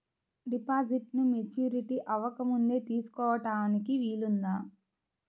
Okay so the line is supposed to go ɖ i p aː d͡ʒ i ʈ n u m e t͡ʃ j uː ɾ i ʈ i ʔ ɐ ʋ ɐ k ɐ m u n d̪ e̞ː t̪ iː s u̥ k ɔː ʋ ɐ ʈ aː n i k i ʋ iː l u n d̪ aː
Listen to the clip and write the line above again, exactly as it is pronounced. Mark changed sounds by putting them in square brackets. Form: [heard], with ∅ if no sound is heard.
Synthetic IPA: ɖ i p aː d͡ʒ i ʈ n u m e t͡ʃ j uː ɾ i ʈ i ʔ ɐ ʋ ɐ k ɐ m u n d̪ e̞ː t̪ iː s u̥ k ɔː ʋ ɐ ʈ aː n i k i ʋ iː l u n d̪ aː